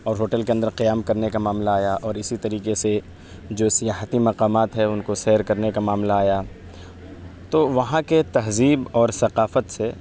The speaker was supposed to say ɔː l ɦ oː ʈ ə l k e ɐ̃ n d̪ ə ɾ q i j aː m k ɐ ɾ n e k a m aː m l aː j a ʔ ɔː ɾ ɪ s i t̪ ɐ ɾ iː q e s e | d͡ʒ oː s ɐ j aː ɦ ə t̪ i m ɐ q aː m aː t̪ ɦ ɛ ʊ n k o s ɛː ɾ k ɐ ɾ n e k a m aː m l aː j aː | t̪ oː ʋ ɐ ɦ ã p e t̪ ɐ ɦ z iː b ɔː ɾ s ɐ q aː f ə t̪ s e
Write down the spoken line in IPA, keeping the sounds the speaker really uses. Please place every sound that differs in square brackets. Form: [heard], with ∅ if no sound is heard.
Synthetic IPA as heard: ɔː [ɾ] ɦ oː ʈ ə l k e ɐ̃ n d̪ ə ɾ q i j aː m k ɐ ɾ n e k a m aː m l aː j a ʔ ɔː ɾ ɪ s i t̪ ɐ ɾ iː q e s e | d͡ʒ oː s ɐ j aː ɦ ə t̪ i m ɐ q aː m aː t̪ ɦ ɛ ʊ n k o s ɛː ɾ k ɐ ɾ n e k a m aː m l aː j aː | t̪ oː ʋ ɐ ɦ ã [k] e t̪ ɐ ɦ z iː b ɔː ɾ s ɐ q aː f ə t̪ s e

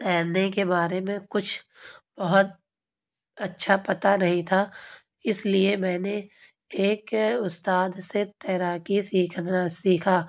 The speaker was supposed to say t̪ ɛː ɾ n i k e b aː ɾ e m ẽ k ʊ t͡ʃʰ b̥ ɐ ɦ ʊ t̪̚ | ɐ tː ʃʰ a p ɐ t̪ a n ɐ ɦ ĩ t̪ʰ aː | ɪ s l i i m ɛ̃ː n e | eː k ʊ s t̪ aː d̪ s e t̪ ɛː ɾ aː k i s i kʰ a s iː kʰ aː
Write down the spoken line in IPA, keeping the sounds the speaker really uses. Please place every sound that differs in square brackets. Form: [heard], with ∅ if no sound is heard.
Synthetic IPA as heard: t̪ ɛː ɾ n [e] k e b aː ɾ e m ẽ k ʊ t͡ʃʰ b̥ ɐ ɦ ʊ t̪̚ | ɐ tː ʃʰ a p ɐ t̪ a n ɐ ɦ ĩ t̪ʰ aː | ɪ s l i [e] m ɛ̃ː n e | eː k ʊ s t̪ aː d̪ s e t̪ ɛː ɾ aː k i s [iː] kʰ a s iː kʰ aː

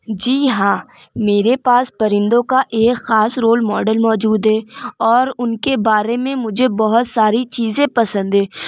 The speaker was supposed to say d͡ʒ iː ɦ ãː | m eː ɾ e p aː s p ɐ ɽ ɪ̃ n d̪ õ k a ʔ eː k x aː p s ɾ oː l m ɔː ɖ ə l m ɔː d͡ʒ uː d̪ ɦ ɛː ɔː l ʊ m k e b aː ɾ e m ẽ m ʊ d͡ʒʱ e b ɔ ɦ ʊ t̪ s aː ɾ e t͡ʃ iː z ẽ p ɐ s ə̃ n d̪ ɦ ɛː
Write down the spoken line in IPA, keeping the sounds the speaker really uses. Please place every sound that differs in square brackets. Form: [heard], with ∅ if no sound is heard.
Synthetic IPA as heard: d͡ʒ iː ɦ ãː | m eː ɾ e p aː s p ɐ [ɾ] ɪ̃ n d̪ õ k a ʔ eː k x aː [∅] s ɾ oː l m ɔː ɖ ə l m ɔː d͡ʒ uː d̪ ɦ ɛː ɔː [ɾ] ʊ [n] k e b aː ɾ e m ẽ m ʊ d͡ʒʱ e b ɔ ɦ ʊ t̪ s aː ɾ [i] t͡ʃ iː z ẽ p ɐ s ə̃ n d̪ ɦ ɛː

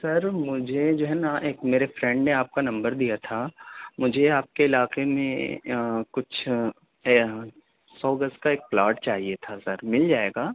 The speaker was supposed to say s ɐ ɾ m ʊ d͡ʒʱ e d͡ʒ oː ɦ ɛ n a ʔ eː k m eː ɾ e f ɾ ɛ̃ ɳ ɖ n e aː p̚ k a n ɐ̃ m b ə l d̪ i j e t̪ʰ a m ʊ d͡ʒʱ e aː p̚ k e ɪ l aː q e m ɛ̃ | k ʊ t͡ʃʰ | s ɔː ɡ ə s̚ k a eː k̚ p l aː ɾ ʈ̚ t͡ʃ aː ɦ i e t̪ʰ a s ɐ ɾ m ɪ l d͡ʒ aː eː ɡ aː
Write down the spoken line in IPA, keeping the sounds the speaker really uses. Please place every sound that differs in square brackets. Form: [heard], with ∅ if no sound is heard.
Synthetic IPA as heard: s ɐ ɾ m ʊ d͡ʒʱ e d͡ʒ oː ɦ ɛ n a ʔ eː k m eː ɾ e f ɾ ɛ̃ ɳ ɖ n e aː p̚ k a n ɐ̃ m b ə [ɾ] d̪ i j [a] t̪ʰ a m ʊ d͡ʒʱ e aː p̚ k e ɪ l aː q e m [ẽ] | k ʊ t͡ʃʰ | s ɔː ɡ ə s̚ k a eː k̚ p l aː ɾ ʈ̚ t͡ʃ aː ɦ i e t̪ʰ a s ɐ ɾ m ɪ l d͡ʒ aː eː ɡ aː

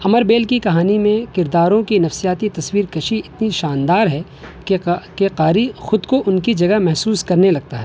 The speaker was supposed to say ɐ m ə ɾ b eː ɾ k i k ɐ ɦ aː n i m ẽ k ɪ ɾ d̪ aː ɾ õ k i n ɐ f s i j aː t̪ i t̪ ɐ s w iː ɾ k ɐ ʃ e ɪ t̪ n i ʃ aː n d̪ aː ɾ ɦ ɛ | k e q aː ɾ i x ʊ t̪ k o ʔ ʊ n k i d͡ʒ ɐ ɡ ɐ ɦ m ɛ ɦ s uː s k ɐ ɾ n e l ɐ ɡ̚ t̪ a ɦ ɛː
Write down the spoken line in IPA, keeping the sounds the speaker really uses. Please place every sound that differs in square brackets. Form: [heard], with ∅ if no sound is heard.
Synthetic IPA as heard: ɐ m ə ɾ b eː [l] k i k ɐ ɦ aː n i m ẽ k ɪ ɾ d̪ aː ɾ õ k i n ɐ f s i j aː t̪ i t̪ ɐ s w iː ɾ k ɐ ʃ [i] ɪ t̪ n i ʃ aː n d̪ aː ɾ ɦ ɛ | k e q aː ɾ i x ʊ [d̪] k o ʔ ʊ n k i d͡ʒ ɐ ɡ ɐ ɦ m ɛ ɦ s uː s k ɐ ɾ n e l ɐ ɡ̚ t̪ a ɦ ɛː

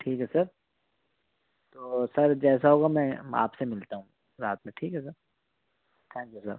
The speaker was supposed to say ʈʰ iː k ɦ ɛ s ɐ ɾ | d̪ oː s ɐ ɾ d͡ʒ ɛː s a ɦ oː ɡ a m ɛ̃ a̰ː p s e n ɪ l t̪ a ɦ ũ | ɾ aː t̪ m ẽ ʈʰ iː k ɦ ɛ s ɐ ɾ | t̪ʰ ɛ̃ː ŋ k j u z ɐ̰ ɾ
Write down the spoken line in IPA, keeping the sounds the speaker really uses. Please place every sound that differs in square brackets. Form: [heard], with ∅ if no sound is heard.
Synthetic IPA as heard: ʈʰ iː k ɦ ɛ s ɐ ɾ | [t̪] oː s ɐ ɾ d͡ʒ ɛː s a ɦ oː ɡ a m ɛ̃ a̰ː p s e [m] ɪ l t̪ a ɦ ũ | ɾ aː t̪ m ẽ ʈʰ iː k ɦ ɛ s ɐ ɾ | t̪ʰ ɛ̃ː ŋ k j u [s] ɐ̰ ɾ

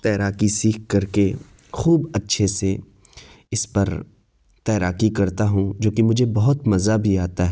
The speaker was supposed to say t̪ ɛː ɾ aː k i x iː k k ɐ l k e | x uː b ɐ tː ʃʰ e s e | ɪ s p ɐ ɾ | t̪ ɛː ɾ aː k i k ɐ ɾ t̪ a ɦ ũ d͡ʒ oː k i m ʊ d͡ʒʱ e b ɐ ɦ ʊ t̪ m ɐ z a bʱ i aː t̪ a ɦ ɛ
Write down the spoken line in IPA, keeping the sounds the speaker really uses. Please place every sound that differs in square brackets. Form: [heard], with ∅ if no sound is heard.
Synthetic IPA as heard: t̪ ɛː ɾ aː k i [s] iː k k ɐ [ɾ] k e | x uː b ɐ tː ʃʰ e s e | ɪ s p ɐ ɾ | t̪ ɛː ɾ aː k i k ɐ ɾ t̪ a ɦ ũ d͡ʒ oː k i m ʊ d͡ʒʱ e b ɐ ɦ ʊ t̪ m ɐ z a bʱ i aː t̪ a ɦ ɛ

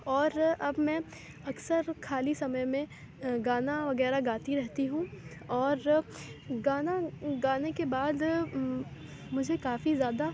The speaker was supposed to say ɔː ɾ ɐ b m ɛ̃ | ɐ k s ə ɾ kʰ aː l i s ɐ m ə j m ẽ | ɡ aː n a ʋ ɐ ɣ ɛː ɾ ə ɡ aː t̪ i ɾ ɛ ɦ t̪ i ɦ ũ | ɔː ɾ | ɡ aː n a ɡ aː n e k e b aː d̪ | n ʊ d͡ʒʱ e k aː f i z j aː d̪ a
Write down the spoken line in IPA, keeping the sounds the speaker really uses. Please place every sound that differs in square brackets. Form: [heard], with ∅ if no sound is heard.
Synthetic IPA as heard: ɔː ɾ ɐ b m ɛ̃ | ɐ k s ə ɾ kʰ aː l i s ɐ m ə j m ẽ | ɡ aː n a ʋ ɐ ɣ ɛː ɾ [a] ɡ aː t̪ i ɾ ɛ ɦ t̪ i ɦ ũ | ɔː ɾ | ɡ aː n a ɡ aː n e k e b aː d̪ | [m] ʊ d͡ʒʱ e k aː f i z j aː d̪ a

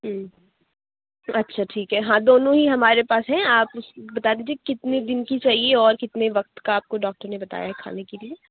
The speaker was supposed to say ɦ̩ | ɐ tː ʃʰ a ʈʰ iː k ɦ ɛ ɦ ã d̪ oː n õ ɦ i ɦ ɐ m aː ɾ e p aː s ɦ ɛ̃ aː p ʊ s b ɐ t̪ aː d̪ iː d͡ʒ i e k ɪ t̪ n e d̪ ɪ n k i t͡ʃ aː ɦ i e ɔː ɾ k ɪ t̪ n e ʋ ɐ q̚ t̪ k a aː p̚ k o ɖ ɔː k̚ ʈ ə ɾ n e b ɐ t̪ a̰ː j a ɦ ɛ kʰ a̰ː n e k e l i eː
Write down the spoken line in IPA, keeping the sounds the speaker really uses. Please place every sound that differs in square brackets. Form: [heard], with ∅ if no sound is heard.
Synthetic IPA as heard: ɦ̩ | ɐ tː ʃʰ a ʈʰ iː k ɦ ɛ ɦ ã d̪ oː n õ ɦ i ɦ ɐ m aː ɾ e p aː s ɦ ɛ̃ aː p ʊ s b ɐ t̪ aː d̪ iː d͡ʒ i e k ɪ t̪ n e d̪ ɪ n k i t͡ʃ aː ɦ i e ɔː ɾ k ɪ t̪ n e ʋ ɐ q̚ t̪ k a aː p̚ k o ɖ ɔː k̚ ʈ ə ɾ n e b ɐ t̪ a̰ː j a ɦ ɛ kʰ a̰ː n e k e l i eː

